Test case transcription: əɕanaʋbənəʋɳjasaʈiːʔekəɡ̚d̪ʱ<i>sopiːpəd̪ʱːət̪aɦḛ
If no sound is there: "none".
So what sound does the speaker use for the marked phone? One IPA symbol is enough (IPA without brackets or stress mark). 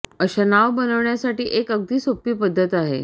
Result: iː